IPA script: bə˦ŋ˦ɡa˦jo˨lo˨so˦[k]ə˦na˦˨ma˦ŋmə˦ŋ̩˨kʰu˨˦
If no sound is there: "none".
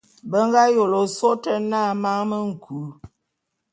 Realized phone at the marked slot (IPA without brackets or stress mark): t